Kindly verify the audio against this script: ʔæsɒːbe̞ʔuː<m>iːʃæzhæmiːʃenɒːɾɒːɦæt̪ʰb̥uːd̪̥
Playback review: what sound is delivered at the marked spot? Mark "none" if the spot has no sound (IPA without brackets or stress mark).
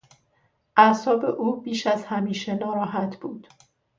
b